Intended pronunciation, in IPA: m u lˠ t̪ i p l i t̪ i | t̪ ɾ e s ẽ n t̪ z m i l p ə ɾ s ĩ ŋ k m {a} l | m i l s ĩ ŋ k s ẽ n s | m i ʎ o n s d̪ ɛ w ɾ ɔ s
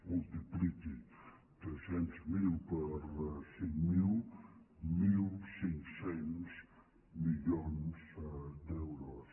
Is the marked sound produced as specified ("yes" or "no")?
no